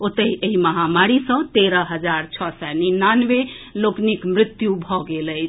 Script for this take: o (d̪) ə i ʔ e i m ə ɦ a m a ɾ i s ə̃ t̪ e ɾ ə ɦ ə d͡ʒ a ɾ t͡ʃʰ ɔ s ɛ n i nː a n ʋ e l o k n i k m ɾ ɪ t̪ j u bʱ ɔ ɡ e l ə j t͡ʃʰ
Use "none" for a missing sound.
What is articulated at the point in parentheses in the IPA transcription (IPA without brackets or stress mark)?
t̪